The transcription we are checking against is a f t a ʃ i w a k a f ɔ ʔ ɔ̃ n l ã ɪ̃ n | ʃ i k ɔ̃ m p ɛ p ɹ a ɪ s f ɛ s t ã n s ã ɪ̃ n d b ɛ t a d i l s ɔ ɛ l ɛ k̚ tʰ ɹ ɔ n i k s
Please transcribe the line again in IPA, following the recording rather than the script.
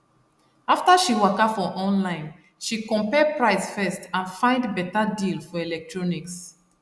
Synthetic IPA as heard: a f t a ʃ i w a k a f ɔ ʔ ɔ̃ n l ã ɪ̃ n | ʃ i k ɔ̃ m p ɛ p ɹ a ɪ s f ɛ s t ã n f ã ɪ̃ n d b ɛ t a d i l f ɔ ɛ l ɛ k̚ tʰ ɹ ɔ n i k s